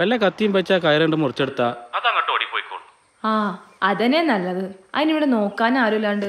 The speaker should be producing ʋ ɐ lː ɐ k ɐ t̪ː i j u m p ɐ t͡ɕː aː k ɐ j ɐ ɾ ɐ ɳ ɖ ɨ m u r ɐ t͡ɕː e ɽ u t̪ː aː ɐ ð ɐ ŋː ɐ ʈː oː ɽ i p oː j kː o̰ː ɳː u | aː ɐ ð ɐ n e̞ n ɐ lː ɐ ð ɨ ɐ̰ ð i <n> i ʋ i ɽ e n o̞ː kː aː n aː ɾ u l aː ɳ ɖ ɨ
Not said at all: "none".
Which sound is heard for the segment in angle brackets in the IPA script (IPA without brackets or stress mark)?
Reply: n